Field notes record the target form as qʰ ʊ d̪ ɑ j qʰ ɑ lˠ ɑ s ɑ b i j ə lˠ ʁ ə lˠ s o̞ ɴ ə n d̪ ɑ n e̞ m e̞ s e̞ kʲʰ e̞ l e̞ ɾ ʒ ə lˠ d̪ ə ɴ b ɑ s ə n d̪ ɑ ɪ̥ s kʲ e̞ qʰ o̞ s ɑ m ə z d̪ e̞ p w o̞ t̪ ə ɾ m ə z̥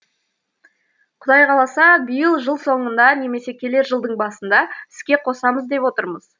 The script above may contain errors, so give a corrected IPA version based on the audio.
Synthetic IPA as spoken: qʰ ʊ d̪ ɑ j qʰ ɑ lˠ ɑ s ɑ b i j ə lˠ ʒ ə lˠ s o̞ ɴ ə n d̪ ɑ n e̞ m e̞ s e̞ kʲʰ e̞ l e̞ ɾ ʒ ə lˠ d̪ ə ɴ b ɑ s ə n d̪ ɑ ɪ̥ s kʲ e̞ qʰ o̞ s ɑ m ə z d̪ e̞ p w o̞ t̪ ə ɾ m ə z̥